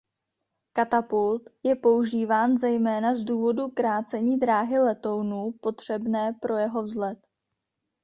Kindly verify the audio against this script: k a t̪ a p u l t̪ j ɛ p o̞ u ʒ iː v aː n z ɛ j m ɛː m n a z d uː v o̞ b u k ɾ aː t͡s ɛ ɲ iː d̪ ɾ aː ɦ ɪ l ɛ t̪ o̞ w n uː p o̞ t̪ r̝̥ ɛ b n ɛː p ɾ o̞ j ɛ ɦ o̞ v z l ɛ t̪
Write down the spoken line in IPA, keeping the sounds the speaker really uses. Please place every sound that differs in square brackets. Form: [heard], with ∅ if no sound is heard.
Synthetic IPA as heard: k a t̪ a p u l t̪ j ɛ p o̞ u ʒ iː v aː n z ɛ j m ɛː [∅] n a z d uː v o̞ [d] u k ɾ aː t͡s ɛ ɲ iː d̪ ɾ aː ɦ ɪ l ɛ t̪ o̞ w n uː p o̞ t̪ r̝̥ ɛ b n ɛː p ɾ o̞ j ɛ ɦ o̞ v z l ɛ t̪